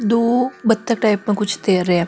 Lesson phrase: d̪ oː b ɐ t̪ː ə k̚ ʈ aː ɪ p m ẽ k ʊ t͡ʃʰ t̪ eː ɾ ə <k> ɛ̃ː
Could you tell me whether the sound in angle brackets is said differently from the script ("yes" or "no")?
yes